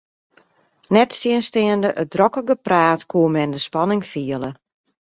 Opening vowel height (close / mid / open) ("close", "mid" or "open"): mid